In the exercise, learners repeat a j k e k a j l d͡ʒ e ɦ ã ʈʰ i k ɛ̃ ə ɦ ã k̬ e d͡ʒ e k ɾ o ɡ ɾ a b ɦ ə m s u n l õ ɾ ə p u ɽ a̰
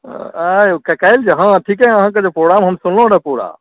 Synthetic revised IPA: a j k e k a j l d͡ʒ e ɦ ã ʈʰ i k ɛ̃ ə ɦ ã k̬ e d͡ʒ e p ɾ o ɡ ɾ a m ɦ ə m s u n l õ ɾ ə p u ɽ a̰